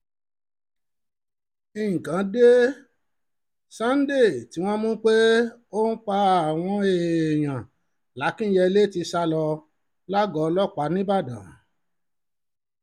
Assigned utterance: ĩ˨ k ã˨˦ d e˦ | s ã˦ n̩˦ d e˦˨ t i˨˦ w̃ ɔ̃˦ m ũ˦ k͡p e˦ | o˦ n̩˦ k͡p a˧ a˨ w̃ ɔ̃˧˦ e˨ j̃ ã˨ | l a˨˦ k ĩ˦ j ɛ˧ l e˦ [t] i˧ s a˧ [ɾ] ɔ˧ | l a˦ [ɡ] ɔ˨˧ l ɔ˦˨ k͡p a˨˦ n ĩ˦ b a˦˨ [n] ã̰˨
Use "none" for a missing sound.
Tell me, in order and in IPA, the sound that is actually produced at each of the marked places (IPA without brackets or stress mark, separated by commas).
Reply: t, l, ɡ, d